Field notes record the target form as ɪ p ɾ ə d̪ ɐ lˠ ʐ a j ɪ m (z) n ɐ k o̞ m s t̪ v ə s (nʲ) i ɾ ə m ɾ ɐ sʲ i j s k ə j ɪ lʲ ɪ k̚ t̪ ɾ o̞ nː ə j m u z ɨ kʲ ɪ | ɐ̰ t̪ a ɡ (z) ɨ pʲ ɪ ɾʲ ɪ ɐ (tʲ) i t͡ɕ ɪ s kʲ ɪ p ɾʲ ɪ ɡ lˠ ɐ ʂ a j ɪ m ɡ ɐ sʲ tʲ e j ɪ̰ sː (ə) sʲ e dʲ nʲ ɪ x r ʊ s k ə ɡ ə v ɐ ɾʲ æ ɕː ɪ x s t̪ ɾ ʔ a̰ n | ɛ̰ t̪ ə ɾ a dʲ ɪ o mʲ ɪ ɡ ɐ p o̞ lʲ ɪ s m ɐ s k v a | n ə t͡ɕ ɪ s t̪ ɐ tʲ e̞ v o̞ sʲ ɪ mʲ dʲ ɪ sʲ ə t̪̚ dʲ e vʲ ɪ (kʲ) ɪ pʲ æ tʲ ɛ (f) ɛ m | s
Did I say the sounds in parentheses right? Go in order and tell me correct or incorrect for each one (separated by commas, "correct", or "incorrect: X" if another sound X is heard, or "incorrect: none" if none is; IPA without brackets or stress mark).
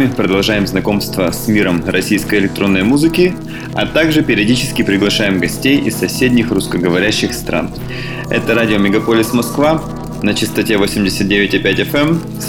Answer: correct, incorrect: mʲ, incorrect: ʐ, incorrect: dʲ, incorrect: ɐ, incorrect: tʲ, correct